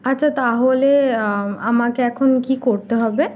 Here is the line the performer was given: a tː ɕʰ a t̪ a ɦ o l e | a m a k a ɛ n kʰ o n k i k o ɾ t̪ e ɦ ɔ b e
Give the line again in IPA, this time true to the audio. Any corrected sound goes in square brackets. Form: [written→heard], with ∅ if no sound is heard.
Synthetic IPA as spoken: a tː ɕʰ a t̪ a ɦ o l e | a m a k [a→e] ɛ [n→∅] kʰ o n k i k o ɾ t̪ e ɦ ɔ b e